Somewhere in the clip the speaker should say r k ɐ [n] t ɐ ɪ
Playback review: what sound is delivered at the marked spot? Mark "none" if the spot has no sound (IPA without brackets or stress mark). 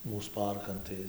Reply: n